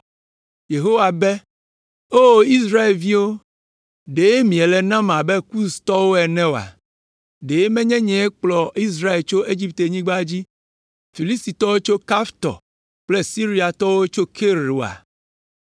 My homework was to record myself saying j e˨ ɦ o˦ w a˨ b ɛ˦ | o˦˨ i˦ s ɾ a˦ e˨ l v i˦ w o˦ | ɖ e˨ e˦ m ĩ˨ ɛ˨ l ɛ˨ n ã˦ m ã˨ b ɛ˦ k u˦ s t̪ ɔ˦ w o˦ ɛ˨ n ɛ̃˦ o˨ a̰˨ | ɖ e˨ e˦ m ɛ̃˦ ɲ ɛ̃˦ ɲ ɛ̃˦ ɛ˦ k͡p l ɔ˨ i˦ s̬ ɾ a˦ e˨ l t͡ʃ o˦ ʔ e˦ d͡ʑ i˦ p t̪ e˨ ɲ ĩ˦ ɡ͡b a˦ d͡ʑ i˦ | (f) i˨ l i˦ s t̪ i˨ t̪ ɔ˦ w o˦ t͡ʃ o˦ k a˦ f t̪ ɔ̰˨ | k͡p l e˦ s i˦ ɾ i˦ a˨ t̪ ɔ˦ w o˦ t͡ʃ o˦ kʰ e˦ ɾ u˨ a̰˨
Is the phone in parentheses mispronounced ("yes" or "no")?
no